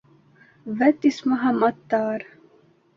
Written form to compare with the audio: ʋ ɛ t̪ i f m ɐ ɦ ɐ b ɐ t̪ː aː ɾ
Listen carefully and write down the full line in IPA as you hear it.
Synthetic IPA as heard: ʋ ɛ t̪ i s m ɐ ɦ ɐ m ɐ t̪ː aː ɾ